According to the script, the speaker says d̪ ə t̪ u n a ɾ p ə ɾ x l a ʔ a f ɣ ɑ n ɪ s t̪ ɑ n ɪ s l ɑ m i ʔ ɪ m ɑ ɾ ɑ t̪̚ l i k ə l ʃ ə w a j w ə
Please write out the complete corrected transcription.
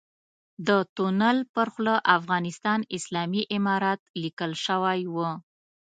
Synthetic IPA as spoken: d̪ ə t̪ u n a l p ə ɾ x l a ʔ a f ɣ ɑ n ɪ s t̪ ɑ n ɪ s l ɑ m i ʔ ɪ m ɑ ɾ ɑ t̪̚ l i k ə l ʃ ə w a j w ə